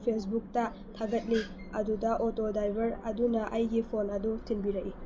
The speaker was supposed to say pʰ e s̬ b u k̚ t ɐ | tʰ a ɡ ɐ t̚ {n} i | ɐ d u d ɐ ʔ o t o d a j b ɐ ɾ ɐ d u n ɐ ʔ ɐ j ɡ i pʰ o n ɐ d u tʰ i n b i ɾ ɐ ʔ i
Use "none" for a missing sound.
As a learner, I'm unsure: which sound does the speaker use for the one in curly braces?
n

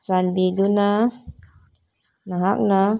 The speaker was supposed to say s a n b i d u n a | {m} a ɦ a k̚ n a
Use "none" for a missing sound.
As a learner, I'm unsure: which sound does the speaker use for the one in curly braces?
n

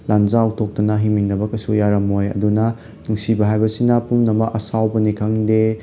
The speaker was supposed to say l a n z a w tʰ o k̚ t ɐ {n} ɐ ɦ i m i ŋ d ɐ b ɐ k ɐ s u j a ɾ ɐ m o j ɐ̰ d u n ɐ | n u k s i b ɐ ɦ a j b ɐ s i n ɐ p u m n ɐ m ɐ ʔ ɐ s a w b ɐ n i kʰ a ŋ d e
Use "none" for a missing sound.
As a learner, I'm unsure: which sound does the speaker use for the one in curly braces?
n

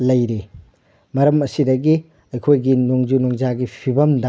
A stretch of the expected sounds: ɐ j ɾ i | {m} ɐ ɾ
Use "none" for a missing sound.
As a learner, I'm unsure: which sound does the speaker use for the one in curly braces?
m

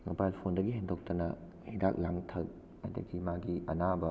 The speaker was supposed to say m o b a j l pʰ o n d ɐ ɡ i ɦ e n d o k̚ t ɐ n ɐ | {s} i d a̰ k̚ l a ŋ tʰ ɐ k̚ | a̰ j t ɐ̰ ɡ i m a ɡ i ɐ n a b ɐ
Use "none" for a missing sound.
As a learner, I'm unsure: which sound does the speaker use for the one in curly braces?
h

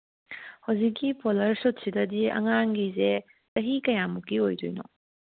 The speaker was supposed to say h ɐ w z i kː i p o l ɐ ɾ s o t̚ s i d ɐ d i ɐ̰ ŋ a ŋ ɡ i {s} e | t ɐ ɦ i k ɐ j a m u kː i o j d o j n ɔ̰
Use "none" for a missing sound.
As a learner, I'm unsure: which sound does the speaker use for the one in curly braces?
z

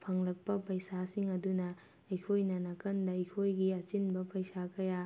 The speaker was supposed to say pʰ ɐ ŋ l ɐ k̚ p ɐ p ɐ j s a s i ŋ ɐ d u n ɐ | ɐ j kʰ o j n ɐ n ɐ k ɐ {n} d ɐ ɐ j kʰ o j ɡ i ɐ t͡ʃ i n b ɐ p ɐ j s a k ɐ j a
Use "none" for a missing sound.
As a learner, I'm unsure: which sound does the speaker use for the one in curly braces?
n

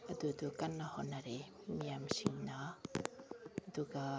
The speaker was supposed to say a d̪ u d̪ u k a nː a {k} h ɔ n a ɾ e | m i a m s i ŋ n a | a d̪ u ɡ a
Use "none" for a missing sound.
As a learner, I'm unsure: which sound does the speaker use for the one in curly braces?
none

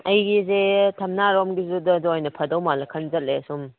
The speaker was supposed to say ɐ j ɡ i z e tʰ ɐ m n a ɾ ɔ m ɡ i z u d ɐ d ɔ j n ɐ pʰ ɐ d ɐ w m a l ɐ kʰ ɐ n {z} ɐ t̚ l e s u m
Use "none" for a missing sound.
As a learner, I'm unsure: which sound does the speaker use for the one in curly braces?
z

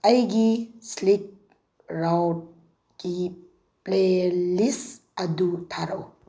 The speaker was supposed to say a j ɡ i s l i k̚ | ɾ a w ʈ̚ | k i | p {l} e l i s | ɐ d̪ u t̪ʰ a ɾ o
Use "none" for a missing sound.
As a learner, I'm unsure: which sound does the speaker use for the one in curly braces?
l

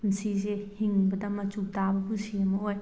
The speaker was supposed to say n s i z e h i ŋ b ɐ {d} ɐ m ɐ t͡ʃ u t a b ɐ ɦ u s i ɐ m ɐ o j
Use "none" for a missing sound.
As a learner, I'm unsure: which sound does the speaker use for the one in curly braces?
d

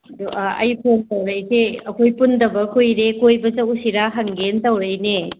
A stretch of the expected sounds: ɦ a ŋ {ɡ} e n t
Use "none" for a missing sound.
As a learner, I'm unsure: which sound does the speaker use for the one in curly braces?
ɡ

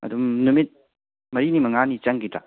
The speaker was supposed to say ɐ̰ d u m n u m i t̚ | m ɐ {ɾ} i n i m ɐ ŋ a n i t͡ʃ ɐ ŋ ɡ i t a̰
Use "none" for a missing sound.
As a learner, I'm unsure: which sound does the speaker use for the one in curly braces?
ɾ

